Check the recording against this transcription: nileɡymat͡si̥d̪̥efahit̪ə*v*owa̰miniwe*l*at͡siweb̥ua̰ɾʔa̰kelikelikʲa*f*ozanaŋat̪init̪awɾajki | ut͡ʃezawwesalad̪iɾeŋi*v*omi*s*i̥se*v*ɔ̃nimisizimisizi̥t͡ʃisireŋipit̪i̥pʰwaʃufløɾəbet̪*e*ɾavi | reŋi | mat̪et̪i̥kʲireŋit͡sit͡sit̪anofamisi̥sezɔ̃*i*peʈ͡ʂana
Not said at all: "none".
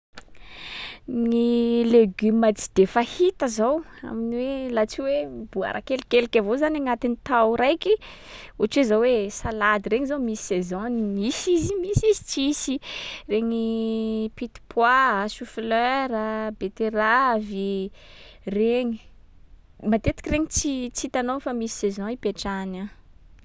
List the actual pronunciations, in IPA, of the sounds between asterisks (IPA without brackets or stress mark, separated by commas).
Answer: z, l, v, z, s, z, e, i